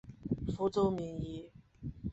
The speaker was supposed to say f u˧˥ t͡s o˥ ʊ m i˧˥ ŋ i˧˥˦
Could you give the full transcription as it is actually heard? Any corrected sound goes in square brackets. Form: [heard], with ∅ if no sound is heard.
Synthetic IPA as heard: f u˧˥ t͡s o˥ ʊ m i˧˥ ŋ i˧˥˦